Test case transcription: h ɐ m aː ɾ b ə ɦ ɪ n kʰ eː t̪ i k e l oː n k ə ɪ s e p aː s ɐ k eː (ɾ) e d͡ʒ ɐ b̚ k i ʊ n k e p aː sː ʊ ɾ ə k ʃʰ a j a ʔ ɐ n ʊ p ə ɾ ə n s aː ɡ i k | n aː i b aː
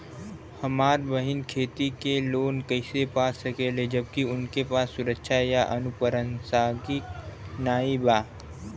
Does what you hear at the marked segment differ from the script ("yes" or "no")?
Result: yes